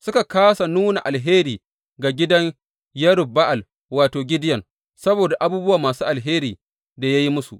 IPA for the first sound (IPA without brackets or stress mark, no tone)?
s